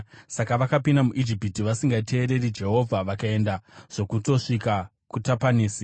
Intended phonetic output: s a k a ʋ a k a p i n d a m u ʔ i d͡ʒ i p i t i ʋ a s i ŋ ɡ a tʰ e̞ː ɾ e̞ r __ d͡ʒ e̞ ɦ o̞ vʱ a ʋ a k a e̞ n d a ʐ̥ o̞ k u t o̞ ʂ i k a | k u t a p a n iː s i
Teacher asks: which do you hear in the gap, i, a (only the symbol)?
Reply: i